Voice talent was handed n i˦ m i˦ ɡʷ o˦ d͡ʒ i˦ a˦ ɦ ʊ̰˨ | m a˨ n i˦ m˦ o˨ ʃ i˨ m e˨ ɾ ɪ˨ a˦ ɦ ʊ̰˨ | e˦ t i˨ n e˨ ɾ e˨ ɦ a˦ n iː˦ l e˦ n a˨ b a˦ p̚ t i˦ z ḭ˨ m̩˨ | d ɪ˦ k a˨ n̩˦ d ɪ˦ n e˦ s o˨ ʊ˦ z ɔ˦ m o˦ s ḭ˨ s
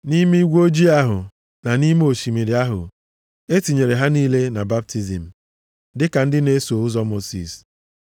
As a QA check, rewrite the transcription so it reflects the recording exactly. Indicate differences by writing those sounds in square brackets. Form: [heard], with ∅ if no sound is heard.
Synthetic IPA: n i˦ m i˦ ɡʷ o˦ d͡ʒ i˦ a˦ ɦ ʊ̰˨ | [n] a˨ n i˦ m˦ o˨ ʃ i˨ m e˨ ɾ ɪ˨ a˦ ɦ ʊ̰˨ | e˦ t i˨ [ɲ] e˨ ɾ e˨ ɦ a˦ n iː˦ l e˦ n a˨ b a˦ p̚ t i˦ z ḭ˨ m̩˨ | d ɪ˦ k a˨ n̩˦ d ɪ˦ n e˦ s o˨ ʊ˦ z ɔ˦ m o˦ s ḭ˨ s